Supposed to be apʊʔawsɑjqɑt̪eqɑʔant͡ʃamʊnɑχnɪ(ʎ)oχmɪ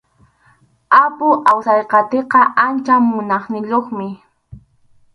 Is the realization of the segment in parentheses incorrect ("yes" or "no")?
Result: no